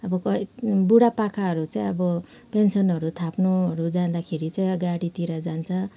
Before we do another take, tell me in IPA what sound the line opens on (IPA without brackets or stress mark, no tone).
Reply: ʌ